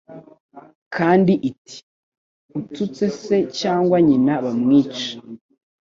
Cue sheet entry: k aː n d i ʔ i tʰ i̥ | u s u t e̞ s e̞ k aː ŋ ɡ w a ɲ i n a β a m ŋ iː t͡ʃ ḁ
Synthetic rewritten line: k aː n d i ʔ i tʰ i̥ | u t u t͡s e̞ s e̞ c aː ŋ ɡ w a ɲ i n a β a m ŋ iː t͡ʃ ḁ